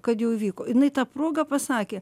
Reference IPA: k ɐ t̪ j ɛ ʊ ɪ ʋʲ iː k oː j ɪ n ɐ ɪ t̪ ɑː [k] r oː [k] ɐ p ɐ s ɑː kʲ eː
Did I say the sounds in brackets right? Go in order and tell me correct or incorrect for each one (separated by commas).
incorrect, incorrect